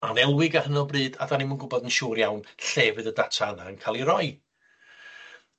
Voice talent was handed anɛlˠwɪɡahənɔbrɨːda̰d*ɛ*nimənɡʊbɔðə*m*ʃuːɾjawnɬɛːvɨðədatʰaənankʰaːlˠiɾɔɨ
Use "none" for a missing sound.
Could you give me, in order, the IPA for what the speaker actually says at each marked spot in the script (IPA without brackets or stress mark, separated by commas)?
a, n